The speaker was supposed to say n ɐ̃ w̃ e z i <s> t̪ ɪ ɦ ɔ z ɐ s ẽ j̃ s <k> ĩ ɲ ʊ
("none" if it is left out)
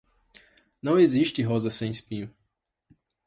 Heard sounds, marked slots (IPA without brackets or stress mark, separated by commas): ʃ, p